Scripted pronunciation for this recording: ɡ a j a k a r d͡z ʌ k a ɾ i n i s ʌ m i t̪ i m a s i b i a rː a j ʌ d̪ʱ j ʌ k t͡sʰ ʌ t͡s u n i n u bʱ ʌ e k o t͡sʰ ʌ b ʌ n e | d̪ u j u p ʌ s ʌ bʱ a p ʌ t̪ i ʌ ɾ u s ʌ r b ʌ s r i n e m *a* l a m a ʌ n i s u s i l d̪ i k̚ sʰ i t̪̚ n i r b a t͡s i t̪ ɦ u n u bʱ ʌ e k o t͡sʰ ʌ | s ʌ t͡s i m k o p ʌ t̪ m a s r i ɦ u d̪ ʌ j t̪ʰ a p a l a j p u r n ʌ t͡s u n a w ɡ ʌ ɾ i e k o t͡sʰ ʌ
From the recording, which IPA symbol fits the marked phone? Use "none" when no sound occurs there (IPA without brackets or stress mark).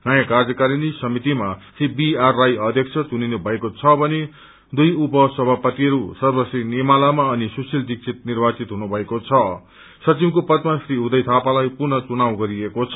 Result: a